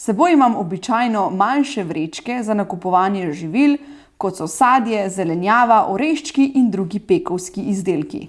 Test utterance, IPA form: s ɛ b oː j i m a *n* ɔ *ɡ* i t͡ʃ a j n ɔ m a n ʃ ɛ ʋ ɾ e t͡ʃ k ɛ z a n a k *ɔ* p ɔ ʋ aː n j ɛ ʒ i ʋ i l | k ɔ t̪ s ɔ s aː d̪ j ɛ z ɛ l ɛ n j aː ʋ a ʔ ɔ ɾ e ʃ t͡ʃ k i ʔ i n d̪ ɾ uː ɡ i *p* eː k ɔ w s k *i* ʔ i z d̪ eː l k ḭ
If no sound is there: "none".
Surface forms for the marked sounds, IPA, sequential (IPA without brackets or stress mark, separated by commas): m, b, u, p, i